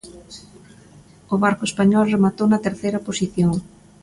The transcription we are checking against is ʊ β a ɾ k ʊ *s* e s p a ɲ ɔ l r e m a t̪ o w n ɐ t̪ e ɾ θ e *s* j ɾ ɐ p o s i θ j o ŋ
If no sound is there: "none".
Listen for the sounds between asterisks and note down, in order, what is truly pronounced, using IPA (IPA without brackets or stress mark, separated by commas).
none, none